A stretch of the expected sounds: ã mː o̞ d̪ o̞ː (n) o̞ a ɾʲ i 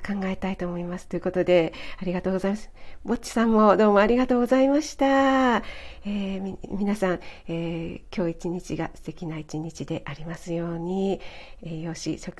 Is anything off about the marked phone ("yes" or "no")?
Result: yes